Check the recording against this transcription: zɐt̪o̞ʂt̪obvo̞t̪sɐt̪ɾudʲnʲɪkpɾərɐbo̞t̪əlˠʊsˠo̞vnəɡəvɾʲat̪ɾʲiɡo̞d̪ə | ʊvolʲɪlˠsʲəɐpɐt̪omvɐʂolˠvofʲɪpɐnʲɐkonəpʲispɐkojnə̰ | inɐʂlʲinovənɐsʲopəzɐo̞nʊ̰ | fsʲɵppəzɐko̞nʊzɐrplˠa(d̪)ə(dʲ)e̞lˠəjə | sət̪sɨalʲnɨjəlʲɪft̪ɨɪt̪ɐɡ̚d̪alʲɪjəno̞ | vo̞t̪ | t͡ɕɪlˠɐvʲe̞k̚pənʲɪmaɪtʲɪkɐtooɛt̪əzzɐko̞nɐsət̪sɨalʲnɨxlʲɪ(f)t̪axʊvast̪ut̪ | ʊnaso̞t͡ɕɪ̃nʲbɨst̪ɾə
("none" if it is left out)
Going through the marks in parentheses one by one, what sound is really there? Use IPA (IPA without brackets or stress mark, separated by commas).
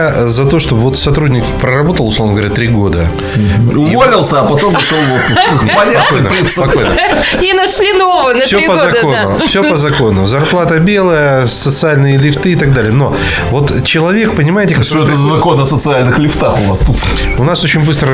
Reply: t̪, bʲ, f